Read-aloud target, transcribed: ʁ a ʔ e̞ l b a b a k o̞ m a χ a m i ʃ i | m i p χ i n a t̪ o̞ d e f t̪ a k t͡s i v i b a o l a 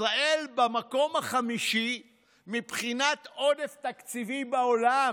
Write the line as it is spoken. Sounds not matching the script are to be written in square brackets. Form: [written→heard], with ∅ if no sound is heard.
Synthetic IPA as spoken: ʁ a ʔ e̞ l b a [b→m] a k o̞ m a χ a m i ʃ i | m i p χ i n a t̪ o̞ d e f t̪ a k t͡s i v i b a o l a